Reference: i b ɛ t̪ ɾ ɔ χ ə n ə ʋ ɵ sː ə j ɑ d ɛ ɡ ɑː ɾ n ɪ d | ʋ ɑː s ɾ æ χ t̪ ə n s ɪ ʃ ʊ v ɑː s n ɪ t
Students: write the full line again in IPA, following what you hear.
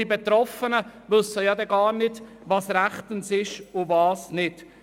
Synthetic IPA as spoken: i b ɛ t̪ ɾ ɔ f ə n ə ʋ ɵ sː ə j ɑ d ɛ ɡ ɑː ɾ n ɪ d | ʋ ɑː s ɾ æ χ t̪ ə n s ɪ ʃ ʊ v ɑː s n ɪ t